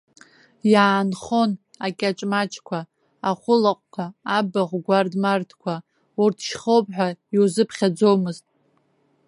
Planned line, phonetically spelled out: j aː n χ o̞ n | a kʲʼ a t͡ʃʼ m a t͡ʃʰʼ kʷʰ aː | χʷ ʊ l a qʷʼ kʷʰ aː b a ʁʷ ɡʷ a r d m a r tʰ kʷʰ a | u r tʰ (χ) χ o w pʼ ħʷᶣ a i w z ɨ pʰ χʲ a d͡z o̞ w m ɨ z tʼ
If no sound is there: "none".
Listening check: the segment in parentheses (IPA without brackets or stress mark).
ʃ